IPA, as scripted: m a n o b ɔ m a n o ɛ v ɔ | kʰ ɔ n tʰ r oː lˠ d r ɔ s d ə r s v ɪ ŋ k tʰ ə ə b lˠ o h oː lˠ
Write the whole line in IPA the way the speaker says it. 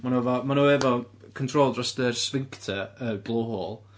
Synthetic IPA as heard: m a n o v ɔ m a n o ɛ v ɔ | kʰ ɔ n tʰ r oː lˠ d r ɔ s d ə r s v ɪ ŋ k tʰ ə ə b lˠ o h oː lˠ